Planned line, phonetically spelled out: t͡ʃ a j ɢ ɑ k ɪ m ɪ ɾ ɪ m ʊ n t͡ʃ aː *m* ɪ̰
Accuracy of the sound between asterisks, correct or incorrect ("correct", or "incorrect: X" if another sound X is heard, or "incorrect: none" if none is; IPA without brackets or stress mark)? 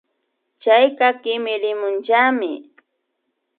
correct